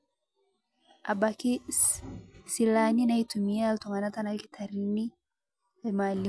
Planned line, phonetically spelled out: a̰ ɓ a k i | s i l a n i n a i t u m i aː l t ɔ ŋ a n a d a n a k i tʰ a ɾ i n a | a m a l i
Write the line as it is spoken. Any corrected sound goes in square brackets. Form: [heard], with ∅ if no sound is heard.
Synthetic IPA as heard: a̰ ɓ a k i | s i l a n i n a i t u m i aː l t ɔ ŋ a n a [t] a n a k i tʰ a ɾ i n [i] | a m a l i